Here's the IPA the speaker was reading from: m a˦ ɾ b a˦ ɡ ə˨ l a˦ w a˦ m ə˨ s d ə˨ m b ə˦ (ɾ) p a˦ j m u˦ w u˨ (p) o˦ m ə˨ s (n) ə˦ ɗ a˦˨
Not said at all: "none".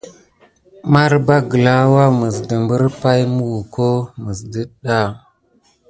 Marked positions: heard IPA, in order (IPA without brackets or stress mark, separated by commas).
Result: ɾ, k, d